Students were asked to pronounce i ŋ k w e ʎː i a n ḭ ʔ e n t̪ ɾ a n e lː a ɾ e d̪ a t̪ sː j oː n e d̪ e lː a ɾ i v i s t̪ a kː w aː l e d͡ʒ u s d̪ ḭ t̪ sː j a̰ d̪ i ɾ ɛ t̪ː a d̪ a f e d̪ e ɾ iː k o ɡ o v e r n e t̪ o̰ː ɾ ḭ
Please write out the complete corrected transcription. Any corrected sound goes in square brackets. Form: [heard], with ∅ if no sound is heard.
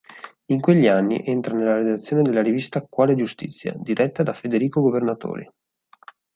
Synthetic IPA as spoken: i ŋ k w e ʎː i a [nː] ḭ ʔ e n t̪ ɾ a n e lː a ɾ e d̪ a t̪ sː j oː n e d̪ e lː a ɾ i v i s t̪ a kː w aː l e d͡ʒ u s [t̪] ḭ t̪ sː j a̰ d̪ i ɾ ɛ t̪ː a d̪ a f e d̪ e ɾ iː k o ɡ o v e r n [a] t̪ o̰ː ɾ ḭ